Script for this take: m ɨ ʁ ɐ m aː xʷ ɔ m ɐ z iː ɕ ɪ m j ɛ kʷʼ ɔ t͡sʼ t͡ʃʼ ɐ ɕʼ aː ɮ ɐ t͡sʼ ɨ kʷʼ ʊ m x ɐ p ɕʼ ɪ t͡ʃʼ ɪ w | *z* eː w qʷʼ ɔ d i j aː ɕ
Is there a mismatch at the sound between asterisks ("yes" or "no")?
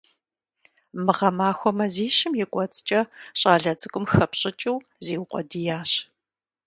no